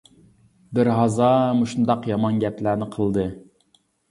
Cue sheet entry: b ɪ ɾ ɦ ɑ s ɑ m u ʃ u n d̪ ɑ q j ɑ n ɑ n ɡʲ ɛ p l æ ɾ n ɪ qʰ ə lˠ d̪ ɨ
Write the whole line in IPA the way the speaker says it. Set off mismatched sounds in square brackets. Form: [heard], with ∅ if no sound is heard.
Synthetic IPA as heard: b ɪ ɾ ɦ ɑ [z] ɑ m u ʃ u n d̪ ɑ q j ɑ [m] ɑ n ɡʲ ɛ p l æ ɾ n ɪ qʰ ə lˠ d̪ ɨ